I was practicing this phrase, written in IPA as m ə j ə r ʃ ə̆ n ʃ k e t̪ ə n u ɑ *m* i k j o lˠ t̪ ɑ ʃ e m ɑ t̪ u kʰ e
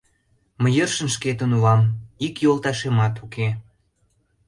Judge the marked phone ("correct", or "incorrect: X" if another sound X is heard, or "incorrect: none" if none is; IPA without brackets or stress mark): correct